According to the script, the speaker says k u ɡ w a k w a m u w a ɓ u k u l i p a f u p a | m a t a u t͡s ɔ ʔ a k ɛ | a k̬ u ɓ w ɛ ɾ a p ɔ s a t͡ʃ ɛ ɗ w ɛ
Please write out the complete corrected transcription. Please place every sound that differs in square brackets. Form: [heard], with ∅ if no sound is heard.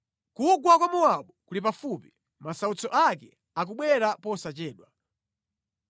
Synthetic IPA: k u ɡ w a k w a m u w a ɓ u k u l i p a f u p [i] | m a [s] a u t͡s ɔ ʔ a k ɛ | a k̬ u ɓ w ɛ ɾ a p ɔ s a t͡ʃ [ɛː] ɗ w [a]